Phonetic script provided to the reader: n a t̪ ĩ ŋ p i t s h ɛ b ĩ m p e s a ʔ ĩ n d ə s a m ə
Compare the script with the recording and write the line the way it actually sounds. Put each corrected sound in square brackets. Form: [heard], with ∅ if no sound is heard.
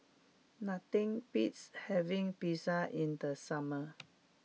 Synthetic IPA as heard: n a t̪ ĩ ŋ p i t s h ɛ [v] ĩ [ŋ] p [i] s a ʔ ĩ n d ə s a m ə